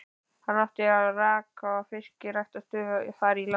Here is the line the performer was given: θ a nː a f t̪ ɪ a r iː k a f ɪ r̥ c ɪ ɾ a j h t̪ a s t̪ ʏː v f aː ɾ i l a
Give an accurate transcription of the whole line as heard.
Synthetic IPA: h a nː a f t̪ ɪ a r aː k a f ɪ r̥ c ɪ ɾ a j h t̪ a s t̪ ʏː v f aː ɾ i l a